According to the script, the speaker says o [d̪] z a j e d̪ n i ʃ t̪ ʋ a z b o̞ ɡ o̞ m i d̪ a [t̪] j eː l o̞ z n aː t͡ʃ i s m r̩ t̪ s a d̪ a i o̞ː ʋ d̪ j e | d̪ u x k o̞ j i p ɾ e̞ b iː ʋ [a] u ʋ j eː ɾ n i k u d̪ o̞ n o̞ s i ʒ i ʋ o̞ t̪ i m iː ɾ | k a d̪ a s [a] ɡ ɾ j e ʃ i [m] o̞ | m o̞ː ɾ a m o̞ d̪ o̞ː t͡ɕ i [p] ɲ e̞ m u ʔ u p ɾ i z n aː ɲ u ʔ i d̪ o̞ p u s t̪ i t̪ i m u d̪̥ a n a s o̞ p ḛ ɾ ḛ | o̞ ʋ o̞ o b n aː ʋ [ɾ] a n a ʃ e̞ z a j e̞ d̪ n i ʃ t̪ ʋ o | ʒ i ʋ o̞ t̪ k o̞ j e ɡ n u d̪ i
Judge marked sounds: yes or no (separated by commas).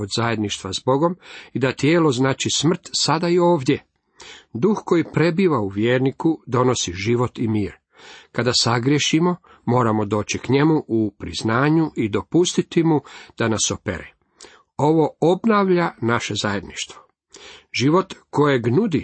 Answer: yes, yes, yes, yes, yes, no, no